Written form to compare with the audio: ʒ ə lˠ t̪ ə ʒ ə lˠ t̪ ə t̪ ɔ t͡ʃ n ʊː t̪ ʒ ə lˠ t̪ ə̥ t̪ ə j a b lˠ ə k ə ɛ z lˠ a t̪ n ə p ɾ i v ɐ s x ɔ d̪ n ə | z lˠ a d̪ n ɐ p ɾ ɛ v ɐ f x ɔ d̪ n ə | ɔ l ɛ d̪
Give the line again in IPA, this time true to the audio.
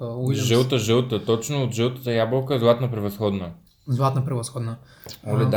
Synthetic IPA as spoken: ʒ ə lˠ t̪ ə ʒ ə lˠ t̪ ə t̪ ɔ t͡ʃ n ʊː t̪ ʒ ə lˠ t̪ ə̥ t̪ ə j a b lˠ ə k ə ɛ z lˠ a t̪ n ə p ɾ ɛ v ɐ s x ɔ d̪ n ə | z lˠ a t̪ n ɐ p ɾ ɛ v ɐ s x ɔ d̪ n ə | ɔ l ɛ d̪